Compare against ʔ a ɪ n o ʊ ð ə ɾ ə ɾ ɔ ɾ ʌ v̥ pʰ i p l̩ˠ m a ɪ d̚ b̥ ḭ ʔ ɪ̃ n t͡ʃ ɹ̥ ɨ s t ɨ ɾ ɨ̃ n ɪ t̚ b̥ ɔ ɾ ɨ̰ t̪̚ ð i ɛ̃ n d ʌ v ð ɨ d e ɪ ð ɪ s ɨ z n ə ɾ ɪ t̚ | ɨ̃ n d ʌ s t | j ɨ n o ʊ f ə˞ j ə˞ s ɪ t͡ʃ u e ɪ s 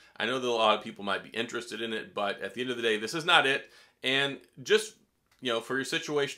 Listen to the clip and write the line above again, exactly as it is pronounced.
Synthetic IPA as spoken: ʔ a ɪ n o ʊ ð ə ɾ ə l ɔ ɾ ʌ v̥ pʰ i p l̩ˠ m a ɪ t̚ b̥ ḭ ʔ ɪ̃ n t͡ʃ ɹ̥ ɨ s t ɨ ɾ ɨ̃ n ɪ t̚ b̥ ʌ ɾ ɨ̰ t̪̚ ð i ɛ̃ n d ʌ v ð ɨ d e ɪ ð ɪ s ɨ z n ə ɾ ɪ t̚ | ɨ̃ n d͡ʒ ʌ s t | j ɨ n o ʊ f ə˞ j ə˞ s ɪ t͡ʃ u e ɪ ʃ

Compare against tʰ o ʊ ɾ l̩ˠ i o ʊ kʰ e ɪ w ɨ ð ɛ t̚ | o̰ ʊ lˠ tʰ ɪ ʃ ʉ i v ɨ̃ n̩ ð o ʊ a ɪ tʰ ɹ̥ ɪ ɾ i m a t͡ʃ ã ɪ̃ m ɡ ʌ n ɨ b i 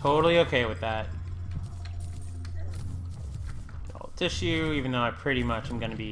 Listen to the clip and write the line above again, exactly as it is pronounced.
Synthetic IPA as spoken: tʰ o ʊ ɾ l̩ˠ i o ʊ kʰ e ɪ w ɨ ð æ t̚ | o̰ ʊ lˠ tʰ ɪ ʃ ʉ i v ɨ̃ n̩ ð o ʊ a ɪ pʰ ɹ̥ ɪ ɾ i m ʌ t͡ʃ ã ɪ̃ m ɡ ʌ n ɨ b i

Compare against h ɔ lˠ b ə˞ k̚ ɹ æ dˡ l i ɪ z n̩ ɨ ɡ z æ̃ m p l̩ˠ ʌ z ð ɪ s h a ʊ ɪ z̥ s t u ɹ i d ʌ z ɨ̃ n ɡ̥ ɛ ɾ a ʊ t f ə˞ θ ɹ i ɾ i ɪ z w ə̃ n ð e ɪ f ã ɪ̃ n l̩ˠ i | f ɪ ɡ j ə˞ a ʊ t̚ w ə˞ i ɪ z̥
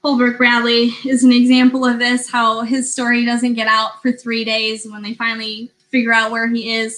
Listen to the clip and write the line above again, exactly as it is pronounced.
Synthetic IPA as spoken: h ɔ lˠ b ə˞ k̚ ɹ æ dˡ l i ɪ z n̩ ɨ ɡ z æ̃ m p l̩ˠ ʌ v ð ɪ s h a ʊ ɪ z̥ s t ɔ ɹ i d ʌ z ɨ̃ n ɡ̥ ɛ ɾ a ʊ t f ə˞ θ ɹ i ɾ e ɪ z w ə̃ n ð e ɪ f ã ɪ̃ n l̩ˠ i | f ɪ ɡ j ə˞ a ʊ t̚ w ə˞ i ɪ z̥

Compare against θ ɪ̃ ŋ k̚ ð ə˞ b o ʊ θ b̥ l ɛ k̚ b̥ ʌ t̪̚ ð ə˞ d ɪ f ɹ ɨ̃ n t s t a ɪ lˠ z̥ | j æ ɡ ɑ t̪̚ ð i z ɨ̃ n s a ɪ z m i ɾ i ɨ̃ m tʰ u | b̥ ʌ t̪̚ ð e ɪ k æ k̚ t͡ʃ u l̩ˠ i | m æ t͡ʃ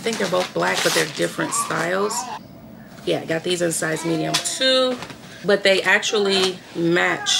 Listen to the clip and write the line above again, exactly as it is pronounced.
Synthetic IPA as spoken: θ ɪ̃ ŋ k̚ ð ə˞ b o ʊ θ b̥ l æ k̚ b̥ ʌ t̪̚ ð ə˞ d ɪ f ɹ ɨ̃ n t s t a ɪ lˠ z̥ | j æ ɡ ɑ t̪̚ ð i z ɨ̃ n s a ɪ z m i ɾ i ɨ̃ m tʰ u | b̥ ʌ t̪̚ ð e ɪ ʔ æ k̚ t͡ʃ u l̩ˠ i | m æ t͡ʃ

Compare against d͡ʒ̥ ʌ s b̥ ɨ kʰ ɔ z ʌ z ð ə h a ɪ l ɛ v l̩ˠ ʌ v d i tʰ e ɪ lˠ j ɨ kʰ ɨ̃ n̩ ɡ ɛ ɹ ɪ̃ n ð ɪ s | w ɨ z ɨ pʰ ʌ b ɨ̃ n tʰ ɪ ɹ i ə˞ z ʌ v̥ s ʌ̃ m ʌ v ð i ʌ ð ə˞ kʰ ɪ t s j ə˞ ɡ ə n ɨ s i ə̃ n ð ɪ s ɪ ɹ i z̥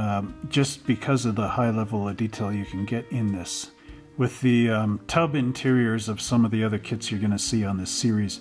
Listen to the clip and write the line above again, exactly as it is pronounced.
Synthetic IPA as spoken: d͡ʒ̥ ʌ s b̥ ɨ kʰ ʌ z ʌ v ð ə h a ɪ l ɛ v l̩ˠ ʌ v d i tʰ e ɪ lˠ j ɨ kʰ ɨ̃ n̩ ɡ ɛ ɾ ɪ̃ n ð ɪ s | w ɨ ð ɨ tʰ ʌ b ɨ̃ n tʰ ɪ ɹ i ə˞ z ʌ v̥ s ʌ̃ m ʌ v ð i ʌ ð ə˞ kʰ ɪ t s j ə˞ ɡ ʌ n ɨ s i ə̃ n ð ɪ s ɪ ɹ i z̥

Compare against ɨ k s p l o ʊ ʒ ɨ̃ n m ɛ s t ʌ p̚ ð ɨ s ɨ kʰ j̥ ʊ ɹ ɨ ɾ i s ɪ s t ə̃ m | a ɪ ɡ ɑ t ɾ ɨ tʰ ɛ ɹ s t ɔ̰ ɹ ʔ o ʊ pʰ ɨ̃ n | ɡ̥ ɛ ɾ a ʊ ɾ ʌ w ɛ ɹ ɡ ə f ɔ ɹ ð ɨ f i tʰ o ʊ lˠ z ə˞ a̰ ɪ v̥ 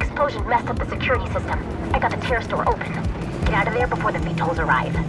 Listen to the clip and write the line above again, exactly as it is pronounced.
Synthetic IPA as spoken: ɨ k s p l o ʊ ʒ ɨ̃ n m ɛ s t ʌ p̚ ð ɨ s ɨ kʰ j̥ ʊ ɹ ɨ ɾ i s ɪ s t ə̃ m | a ɪ ɡ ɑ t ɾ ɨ tʰ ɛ ɹ s t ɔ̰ ɹ ʔ o ʊ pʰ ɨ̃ n | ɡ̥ ɛ ɾ a ʊ ɾ ʌ v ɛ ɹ b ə f ɔ ɹ ð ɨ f i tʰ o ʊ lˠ z ə˞ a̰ ɪ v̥

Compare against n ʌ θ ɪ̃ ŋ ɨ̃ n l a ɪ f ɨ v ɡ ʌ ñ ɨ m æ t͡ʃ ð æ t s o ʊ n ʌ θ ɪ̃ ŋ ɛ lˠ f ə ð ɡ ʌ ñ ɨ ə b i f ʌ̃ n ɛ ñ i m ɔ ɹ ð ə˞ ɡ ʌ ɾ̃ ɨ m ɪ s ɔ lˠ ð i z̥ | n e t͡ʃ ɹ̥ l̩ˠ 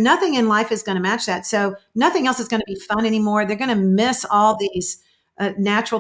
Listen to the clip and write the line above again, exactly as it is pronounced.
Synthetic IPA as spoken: n ʌ θ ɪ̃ ŋ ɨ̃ n l a ɪ f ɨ z ɡ ʌ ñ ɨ m æ t͡ʃ ð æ t s o ʊ n ʌ θ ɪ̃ ŋ ɛ lˠ s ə z ɡ ʌ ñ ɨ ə b i f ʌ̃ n ɛ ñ i m ɔ ɹ ð ə˞ ɡ ʌ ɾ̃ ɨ m ɪ s ɔ lˠ ð i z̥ | n æ t͡ʃ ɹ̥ l̩ˠ

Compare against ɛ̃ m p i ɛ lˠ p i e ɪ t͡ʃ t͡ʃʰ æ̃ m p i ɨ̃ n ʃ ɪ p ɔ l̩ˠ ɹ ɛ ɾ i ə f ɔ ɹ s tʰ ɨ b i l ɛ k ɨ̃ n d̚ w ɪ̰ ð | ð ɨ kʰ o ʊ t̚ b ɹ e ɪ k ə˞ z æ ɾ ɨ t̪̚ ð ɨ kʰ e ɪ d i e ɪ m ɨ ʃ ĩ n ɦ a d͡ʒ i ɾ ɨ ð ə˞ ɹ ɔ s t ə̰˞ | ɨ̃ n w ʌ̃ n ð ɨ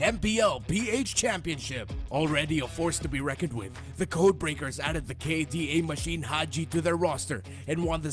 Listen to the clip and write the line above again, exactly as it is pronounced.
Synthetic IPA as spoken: ɛ̃ m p i ɛ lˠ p i e ɪ t͡ʃ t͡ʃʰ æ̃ m p i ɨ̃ n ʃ ɪ p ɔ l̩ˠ ɹ ɛ ɾ i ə f ɔ ɹ s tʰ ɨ b i ɹ ɛ k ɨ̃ n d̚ w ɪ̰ ð | ð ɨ kʰ o ʊ d̚ b ɹ e ɪ k ə˞ z æ ɾ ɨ d̪̚ ð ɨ kʰ e ɪ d i e ɪ m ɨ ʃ ĩ n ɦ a d͡ʒ i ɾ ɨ ð ə˞ ɹ ɔ s t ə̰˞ | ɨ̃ n w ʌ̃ n ð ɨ

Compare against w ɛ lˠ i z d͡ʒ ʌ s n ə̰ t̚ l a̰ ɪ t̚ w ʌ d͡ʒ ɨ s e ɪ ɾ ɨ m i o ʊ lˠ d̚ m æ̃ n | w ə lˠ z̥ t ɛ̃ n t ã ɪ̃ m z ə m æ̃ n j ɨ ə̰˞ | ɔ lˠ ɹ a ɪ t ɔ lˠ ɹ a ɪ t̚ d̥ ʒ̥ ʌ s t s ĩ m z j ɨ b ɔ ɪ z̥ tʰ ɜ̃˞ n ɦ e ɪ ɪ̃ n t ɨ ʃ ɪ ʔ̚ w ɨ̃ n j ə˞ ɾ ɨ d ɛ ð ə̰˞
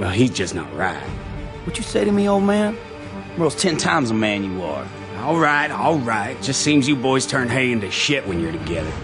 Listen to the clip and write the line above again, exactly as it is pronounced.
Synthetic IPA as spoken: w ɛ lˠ i z d͡ʒ ʌ s n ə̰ t̚ ɹ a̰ ɪ t̚ w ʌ d͡ʒ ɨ s e ɪ ɾ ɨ m i o ʊ lˠ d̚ m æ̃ n | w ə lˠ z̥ tʰ ɛ̃ n tʰ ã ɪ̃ m z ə m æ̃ n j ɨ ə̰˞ | ɔ lˠ ɹ a ɪ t ɔ lˠ ɹ a ɪ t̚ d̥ ʒ̥ ʌ s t s ĩ m z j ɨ b ɔ ɪ z̥ tʰ ɜ̃˞ n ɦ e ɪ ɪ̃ n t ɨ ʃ ɪ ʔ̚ w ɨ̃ n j ə˞ ɾ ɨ ɡ ɛ ð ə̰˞

